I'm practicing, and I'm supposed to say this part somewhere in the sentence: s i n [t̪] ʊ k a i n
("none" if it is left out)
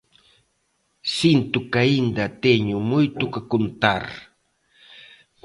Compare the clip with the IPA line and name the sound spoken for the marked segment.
t̪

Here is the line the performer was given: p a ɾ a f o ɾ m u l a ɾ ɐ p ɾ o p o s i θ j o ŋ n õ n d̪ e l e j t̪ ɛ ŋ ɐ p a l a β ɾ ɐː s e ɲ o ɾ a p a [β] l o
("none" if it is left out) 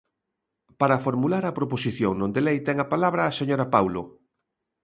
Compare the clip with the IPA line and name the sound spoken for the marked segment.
w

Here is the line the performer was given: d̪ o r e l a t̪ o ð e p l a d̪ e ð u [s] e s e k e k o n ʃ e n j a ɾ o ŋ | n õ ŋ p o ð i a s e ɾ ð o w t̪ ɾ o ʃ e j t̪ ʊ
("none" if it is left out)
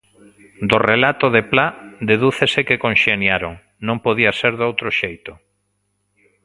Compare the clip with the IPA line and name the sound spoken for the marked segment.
θ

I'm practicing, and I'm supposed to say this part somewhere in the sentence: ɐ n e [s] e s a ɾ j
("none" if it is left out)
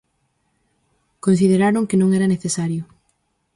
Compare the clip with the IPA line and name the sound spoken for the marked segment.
θ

